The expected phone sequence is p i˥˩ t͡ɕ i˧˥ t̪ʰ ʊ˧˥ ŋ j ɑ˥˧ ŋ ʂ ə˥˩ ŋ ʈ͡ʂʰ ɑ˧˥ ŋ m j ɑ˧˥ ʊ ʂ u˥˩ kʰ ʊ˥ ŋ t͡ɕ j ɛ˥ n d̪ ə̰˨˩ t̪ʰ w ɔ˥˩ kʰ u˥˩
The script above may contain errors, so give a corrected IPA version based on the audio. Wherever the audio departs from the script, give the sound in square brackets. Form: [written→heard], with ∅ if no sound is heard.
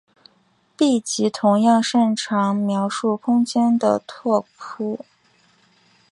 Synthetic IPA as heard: p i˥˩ t͡ɕ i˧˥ t̪ʰ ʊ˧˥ ŋ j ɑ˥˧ ŋ ʂ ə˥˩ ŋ ʈ͡ʂʰ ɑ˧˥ ŋ m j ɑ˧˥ ʊ ʂ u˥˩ kʰ ʊ˥ ŋ t͡ɕ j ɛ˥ n d̪ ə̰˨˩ t̪ʰ w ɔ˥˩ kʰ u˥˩